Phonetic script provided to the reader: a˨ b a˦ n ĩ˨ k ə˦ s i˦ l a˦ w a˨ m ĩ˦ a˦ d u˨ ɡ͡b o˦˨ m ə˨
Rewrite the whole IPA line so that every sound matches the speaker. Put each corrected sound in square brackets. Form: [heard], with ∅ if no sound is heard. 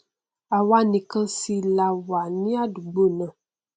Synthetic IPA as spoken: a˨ [w] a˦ n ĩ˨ k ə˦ s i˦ l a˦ w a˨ [n] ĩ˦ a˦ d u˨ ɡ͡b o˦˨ [n] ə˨